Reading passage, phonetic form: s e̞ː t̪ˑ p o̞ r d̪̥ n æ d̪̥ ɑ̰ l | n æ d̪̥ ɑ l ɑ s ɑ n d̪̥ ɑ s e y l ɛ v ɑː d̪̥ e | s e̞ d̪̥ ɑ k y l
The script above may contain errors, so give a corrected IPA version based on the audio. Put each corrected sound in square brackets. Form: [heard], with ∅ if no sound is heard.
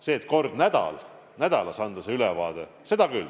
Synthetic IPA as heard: s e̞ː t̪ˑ [k] o̞ r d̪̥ n æ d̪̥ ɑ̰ l | n æ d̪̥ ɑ l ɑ s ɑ n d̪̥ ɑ s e y l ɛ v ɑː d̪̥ e | s e̞ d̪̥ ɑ k y l